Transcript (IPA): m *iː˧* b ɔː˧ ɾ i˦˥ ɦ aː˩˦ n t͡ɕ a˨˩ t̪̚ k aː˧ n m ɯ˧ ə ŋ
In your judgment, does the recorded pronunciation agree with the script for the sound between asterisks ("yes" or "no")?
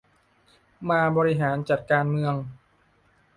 no